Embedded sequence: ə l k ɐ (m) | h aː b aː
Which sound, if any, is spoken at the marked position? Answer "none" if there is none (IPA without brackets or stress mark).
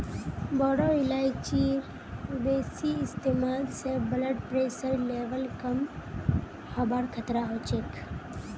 m